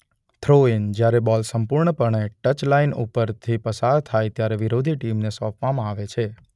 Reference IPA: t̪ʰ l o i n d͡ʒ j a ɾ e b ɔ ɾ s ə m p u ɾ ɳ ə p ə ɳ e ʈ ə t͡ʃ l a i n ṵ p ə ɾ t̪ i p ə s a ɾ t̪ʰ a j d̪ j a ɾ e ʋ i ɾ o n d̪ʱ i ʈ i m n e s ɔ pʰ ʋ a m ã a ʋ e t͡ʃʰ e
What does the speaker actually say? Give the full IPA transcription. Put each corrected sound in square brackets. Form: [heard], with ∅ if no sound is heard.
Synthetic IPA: t̪ʰ [ɾ] o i n d͡ʒ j a ɾ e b ɔ [l] s ə m p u ɾ ɳ ə p ə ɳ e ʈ ə t͡ʃ l a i n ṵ p ə ɾ [t̪ʰ] i p ə s a ɾ t̪ʰ a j [t̪] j a ɾ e ʋ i ɾ o [∅] d̪ʱ i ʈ i m n e s ɔ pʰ ʋ a m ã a ʋ e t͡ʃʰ e